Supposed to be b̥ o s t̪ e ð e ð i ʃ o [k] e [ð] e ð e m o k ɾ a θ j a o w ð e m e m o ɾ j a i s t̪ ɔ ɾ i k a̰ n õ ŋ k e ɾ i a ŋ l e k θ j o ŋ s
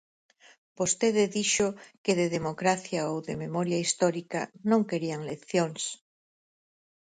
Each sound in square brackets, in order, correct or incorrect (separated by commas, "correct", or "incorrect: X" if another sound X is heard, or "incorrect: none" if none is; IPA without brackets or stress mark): correct, correct